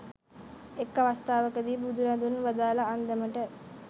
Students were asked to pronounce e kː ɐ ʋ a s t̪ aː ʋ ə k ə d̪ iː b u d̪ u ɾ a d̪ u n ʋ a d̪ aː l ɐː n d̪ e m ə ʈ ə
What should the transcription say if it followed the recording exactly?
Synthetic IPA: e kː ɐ ʋ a s t̪ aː ʋ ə k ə d̪ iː b u d̪ u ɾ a d̪ u n ʋ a d̪ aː l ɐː n d̪ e m ə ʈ ə